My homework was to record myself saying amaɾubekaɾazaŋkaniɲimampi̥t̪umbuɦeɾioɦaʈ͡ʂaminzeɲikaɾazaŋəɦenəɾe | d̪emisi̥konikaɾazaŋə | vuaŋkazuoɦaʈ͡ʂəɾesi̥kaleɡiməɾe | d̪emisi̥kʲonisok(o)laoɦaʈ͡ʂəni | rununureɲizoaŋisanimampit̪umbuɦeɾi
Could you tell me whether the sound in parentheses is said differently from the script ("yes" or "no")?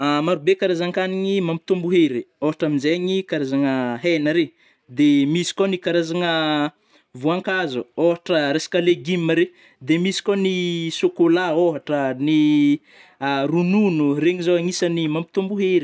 no